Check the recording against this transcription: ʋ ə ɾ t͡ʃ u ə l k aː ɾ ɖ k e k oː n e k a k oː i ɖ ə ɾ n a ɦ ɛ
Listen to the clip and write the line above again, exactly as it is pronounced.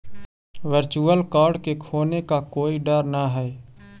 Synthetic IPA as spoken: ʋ ə ɾ t͡ʃ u ə l k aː ɾ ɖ k e kʰ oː n e k a k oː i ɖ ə ɾ n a ɦ ɛ